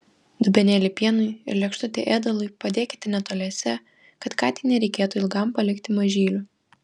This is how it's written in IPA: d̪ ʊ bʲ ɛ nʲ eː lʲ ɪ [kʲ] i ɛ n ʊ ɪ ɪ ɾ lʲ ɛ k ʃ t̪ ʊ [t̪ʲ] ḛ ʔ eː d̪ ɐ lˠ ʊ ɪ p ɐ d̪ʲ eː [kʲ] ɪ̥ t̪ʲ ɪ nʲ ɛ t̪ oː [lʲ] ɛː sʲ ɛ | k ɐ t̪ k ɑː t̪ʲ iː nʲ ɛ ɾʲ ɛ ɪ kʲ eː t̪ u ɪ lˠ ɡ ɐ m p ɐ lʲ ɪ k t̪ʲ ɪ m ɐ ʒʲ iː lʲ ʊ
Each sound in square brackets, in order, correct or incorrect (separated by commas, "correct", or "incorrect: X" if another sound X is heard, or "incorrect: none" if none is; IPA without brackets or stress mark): incorrect: pʲ, correct, correct, correct